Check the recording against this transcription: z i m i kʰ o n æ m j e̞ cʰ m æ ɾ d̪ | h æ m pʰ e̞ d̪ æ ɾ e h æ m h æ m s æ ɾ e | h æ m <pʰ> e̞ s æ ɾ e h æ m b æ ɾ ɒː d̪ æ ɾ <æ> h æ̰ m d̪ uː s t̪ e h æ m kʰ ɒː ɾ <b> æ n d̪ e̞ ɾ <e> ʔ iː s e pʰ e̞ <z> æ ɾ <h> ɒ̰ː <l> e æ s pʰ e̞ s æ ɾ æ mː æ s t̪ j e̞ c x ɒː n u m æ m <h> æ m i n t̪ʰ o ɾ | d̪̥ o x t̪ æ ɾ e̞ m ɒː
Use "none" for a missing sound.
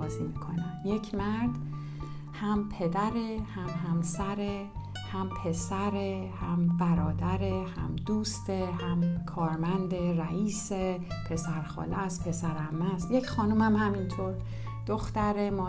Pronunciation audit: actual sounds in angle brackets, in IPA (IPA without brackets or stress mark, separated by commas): pʰ, e, m, æ, s, x, l, h